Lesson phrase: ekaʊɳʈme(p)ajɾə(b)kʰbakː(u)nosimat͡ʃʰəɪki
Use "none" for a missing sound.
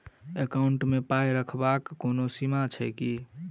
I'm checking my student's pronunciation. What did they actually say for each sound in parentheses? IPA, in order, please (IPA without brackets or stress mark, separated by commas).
p, none, o